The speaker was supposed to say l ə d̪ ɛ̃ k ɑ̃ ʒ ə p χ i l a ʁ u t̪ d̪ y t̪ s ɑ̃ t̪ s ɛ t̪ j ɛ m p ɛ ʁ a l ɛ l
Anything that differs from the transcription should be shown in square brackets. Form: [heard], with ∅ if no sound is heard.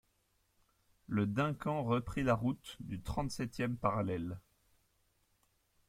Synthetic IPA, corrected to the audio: l ə d̪ ɛ̃ k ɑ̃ [ʁ] ə p χ i l a ʁ u t̪ d̪ y t̪ [χ] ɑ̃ t̪ s ɛ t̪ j ɛ m p [a] ʁ a l ɛ l